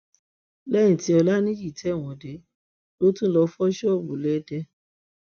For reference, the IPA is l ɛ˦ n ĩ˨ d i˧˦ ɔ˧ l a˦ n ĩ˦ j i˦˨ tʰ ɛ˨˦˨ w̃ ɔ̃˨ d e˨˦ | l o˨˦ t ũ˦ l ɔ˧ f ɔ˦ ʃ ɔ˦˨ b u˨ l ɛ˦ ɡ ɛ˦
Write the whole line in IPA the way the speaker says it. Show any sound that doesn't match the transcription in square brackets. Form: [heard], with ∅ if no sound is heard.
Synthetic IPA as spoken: l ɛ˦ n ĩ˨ [t] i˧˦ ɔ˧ l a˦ n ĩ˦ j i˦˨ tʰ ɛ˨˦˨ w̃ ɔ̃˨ d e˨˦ | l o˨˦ t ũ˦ l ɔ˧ f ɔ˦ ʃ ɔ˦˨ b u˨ l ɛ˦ [d] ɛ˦